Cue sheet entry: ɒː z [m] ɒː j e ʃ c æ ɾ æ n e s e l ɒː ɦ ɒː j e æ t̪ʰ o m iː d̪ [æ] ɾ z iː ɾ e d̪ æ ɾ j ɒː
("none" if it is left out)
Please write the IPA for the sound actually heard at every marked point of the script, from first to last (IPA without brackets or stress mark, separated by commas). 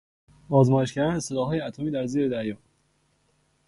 m, æ